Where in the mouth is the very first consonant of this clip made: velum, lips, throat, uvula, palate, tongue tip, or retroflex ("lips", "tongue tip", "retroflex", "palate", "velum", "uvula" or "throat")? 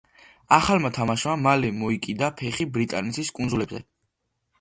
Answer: uvula